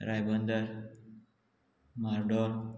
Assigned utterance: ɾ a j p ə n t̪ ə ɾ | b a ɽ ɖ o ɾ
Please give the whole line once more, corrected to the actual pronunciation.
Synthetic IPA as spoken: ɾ a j b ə n d̪ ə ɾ | m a ɾ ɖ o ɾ